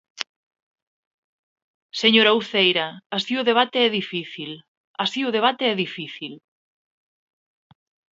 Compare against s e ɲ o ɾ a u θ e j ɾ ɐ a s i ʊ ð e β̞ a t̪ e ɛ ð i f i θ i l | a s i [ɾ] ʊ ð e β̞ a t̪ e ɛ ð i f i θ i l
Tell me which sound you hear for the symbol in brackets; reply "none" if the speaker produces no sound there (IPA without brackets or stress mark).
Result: none